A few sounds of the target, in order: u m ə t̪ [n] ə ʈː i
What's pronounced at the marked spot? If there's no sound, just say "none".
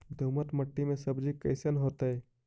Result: m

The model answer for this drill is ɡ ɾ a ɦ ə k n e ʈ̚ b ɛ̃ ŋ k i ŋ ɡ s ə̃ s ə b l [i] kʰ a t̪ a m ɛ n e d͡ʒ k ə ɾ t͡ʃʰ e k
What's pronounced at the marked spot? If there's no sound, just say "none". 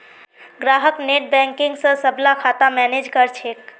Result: a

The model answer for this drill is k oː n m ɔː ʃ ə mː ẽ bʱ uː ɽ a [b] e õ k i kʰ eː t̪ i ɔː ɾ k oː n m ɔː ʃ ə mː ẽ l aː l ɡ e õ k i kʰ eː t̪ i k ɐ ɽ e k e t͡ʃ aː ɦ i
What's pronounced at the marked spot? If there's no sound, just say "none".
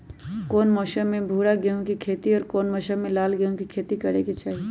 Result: ɡ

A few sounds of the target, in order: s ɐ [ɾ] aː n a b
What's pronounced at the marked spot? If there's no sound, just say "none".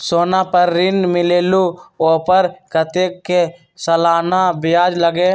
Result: l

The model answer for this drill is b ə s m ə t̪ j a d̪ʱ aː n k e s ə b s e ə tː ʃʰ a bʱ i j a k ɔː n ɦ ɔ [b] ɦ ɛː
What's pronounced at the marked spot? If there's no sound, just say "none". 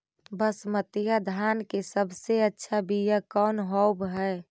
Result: b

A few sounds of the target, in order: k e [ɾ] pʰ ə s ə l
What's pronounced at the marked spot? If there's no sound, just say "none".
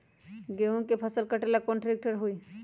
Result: none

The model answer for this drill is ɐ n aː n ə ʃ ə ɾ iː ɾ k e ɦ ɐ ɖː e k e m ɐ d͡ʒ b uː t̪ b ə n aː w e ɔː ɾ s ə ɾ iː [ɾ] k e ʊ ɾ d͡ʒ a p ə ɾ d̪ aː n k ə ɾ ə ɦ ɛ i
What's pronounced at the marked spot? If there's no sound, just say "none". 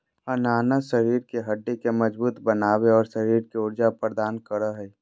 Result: ɾ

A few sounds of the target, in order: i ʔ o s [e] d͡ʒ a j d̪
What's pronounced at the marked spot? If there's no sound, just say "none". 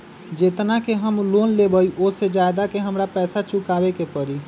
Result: e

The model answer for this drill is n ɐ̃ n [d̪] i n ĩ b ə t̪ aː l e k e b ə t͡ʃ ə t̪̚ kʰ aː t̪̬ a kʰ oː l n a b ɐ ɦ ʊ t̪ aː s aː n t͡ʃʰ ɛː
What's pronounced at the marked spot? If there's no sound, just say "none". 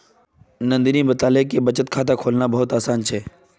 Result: d̪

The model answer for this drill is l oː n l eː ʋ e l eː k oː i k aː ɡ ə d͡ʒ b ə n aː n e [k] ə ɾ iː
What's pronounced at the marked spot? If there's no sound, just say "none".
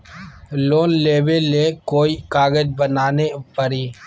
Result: p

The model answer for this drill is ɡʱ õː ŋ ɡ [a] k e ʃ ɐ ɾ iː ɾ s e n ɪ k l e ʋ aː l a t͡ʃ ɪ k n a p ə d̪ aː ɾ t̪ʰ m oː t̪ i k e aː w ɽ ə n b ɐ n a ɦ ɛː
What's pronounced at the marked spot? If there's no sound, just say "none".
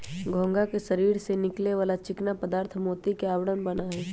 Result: a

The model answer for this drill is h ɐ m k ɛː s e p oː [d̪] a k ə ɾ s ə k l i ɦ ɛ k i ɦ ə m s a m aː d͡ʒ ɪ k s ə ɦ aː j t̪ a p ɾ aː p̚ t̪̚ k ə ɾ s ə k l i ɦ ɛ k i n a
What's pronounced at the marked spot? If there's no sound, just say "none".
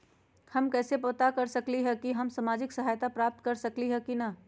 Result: t̪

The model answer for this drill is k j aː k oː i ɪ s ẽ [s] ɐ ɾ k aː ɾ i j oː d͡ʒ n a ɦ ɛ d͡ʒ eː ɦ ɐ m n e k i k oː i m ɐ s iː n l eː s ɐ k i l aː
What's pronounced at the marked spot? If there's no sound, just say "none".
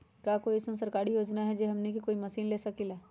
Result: s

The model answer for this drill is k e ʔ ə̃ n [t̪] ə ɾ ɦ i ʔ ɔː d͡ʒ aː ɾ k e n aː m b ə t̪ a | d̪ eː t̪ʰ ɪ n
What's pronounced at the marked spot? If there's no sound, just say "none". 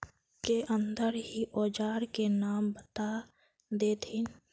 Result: d̪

